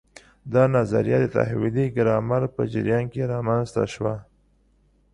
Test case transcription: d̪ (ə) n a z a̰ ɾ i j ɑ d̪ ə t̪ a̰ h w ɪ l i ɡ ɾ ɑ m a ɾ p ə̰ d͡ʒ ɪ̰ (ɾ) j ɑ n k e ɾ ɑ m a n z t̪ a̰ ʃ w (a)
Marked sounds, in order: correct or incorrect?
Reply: incorrect: ɑ, correct, correct

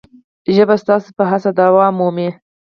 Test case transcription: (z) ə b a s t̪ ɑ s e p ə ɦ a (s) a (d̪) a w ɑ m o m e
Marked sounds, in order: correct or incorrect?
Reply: incorrect: ʒ, correct, correct

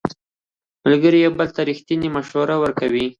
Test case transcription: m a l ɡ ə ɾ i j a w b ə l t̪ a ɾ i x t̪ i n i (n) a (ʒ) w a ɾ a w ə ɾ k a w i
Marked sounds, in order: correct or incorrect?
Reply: incorrect: m, incorrect: ʃ

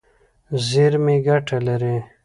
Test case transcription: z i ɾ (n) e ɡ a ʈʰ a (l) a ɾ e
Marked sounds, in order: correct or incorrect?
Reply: incorrect: m, correct

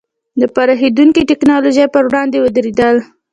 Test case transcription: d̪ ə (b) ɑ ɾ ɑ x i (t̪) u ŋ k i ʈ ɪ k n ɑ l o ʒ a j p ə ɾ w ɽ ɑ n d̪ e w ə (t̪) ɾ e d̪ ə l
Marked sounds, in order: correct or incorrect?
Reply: incorrect: p, incorrect: d̪, incorrect: d̪

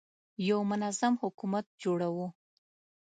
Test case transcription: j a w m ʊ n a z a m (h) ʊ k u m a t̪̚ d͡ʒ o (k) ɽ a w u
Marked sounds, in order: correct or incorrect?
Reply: correct, incorrect: none

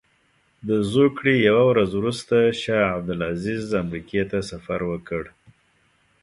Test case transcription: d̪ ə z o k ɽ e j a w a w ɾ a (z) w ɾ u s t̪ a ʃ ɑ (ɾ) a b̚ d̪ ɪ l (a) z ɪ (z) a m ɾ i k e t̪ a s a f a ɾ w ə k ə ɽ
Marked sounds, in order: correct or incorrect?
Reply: correct, incorrect: none, correct, correct

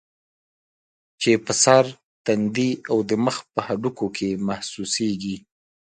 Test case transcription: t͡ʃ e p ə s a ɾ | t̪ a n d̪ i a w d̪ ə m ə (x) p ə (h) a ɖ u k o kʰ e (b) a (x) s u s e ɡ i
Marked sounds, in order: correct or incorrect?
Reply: correct, correct, incorrect: m, incorrect: h

